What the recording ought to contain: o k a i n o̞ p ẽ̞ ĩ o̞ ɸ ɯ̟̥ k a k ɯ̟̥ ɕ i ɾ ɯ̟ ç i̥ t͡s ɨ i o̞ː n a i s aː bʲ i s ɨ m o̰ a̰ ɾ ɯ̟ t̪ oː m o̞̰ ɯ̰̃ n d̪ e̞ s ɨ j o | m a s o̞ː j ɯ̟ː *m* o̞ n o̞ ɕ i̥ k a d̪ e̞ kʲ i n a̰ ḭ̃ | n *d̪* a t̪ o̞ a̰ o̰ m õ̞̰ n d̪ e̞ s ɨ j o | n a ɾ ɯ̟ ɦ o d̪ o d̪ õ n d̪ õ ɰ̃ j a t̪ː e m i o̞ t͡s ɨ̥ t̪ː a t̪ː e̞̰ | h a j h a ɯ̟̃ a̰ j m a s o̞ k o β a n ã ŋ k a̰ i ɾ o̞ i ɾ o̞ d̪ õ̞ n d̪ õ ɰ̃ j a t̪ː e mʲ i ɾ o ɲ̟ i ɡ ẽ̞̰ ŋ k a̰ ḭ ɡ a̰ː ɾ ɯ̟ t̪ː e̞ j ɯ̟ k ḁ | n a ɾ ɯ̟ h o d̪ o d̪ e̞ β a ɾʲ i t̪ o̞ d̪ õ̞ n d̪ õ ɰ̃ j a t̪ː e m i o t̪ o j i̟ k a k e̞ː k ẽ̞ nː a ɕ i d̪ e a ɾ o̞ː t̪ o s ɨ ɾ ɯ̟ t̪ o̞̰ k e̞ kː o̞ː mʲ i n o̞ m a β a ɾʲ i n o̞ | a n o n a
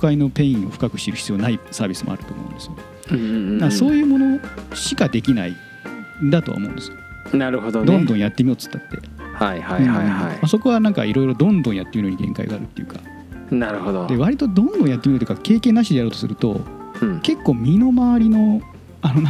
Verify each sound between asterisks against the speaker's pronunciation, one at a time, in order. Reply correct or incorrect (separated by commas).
correct, correct